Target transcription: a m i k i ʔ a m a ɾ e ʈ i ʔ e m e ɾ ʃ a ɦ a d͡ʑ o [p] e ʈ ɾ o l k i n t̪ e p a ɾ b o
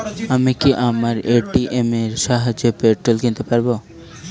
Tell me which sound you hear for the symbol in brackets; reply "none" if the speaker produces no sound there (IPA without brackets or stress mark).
p